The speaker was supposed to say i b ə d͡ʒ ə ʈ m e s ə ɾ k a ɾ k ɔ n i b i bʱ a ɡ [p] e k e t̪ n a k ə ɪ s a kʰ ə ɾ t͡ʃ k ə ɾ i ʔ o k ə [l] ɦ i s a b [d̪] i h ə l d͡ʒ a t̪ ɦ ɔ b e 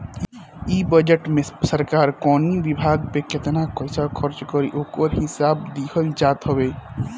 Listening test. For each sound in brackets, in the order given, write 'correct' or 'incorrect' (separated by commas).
correct, incorrect, correct